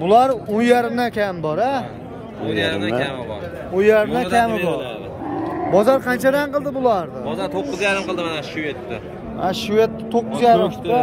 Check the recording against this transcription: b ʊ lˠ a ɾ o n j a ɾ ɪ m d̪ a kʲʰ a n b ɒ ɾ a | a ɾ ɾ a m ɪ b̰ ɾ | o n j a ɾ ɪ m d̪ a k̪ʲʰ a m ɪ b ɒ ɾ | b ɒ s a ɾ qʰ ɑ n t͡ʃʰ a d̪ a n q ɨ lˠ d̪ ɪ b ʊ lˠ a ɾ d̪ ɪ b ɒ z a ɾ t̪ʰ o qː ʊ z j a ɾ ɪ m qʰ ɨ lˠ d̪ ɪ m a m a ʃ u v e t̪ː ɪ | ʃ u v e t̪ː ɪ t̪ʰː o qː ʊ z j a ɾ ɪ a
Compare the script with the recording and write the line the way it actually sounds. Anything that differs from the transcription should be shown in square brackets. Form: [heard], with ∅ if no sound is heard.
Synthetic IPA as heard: b ʊ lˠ a ɾ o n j a ɾ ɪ m d̪ a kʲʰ a [m] b ɒ ɾ a | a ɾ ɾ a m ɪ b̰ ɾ | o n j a ɾ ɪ m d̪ a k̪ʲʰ a m ɪ b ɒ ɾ | b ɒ [z] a ɾ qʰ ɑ n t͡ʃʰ a d̪ a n q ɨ lˠ d̪ ɪ b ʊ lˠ a ɾ d̪ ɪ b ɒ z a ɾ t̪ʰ o qː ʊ z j a ɾ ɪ m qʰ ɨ lˠ d̪ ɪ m a [n] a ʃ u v e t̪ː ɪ | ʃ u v e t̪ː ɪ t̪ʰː o qː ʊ z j a ɾ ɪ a